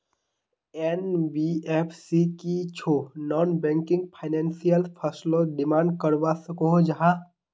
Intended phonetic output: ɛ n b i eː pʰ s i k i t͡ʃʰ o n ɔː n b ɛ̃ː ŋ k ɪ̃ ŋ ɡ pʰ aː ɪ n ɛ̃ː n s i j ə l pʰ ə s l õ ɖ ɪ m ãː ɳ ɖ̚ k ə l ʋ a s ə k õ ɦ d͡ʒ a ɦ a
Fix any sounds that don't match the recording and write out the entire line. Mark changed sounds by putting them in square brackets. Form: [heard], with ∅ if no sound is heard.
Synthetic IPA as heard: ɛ n b i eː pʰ s i k i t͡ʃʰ o n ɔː n b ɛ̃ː ŋ k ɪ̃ ŋ ɡ pʰ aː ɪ n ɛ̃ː n s i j ə l pʰ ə s l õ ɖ ɪ m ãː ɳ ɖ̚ k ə [ɾ] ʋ a s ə k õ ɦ d͡ʒ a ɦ a